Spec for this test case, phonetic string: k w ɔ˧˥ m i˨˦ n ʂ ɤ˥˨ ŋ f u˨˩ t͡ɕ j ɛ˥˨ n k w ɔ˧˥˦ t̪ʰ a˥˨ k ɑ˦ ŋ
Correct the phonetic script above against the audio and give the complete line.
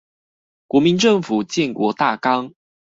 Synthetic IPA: k w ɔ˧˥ m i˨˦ n ʈ͡ʂ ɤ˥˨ ŋ f u˨˩ t͡ɕ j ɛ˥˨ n k w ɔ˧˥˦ t̪ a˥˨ k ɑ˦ ŋ